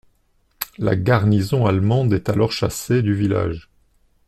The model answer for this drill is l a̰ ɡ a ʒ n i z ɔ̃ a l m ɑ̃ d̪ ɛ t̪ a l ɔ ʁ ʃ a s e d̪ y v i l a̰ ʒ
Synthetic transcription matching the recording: l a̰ ɡ a ʁ n i z ɔ̃ a l m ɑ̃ d̪ ɛ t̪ a l ɔ ʁ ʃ a s e d̪ y v i l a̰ ʒ